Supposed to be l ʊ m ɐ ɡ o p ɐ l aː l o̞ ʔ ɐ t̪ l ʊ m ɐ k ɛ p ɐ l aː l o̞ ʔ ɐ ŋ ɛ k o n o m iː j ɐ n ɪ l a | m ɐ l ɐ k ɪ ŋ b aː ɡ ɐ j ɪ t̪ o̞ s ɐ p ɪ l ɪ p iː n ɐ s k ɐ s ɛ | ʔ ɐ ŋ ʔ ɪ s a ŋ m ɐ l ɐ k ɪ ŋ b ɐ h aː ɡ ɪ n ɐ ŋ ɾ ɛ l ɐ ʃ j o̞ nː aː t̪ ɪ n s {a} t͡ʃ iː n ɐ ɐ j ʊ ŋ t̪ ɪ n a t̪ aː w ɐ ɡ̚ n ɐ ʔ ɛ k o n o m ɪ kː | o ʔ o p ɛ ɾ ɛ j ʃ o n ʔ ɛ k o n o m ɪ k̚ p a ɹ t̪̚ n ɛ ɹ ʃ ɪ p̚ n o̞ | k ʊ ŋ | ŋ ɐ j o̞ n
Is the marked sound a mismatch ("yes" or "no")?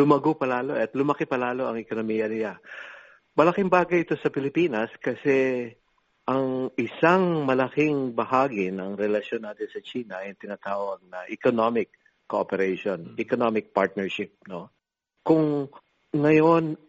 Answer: yes